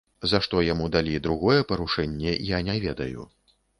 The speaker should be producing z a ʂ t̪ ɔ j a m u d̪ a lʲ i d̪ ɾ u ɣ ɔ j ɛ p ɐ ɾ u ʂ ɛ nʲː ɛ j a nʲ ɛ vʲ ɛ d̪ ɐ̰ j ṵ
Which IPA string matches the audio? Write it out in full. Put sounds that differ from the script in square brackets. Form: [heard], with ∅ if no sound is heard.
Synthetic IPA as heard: z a ʂ t̪ ɔ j a m u d̪ a lʲ i d̪ ɾ u ɣ ɔ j ɛ p ɐ ɾ u ʂ ɛ nʲː ɛ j a nʲ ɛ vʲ ɛ d̪ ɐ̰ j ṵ